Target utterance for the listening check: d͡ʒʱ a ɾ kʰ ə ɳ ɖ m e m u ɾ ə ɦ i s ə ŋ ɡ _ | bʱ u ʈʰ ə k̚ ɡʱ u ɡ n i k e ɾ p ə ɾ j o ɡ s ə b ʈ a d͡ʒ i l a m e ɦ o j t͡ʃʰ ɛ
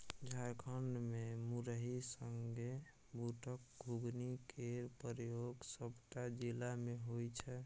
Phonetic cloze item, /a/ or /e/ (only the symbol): e